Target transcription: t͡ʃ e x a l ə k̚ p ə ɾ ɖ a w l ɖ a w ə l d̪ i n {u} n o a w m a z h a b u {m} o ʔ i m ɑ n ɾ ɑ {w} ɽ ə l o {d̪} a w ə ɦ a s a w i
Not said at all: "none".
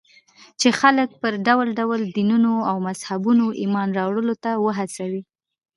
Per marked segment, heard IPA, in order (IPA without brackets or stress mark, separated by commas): u, n, w, t̪